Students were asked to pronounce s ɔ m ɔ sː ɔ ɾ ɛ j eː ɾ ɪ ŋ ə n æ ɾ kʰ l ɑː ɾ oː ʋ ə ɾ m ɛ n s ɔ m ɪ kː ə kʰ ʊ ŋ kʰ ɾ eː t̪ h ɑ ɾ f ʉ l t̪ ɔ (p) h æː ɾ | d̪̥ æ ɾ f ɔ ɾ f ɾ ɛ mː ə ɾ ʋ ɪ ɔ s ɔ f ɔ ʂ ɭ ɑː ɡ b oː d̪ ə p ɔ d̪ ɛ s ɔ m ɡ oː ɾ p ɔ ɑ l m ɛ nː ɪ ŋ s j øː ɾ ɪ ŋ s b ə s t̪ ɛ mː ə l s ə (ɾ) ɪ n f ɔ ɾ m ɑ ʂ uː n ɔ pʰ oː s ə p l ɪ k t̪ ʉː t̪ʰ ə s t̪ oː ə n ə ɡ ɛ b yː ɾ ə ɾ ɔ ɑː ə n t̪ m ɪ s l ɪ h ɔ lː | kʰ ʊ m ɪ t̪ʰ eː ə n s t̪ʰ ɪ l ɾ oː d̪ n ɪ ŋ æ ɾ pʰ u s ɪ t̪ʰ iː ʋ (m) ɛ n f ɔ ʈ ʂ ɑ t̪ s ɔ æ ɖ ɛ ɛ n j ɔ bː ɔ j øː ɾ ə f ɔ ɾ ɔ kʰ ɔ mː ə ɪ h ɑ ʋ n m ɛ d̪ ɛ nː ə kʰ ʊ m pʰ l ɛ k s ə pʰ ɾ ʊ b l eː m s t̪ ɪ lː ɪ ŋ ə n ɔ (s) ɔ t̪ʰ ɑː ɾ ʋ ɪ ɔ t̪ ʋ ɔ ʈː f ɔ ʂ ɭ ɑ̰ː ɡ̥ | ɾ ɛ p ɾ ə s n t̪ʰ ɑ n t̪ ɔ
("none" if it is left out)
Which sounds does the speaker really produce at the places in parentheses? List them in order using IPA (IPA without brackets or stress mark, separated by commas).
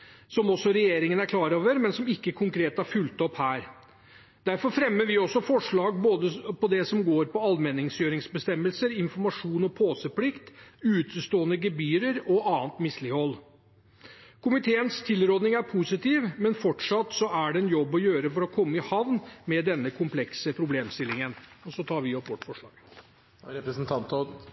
p, ɾ, m, s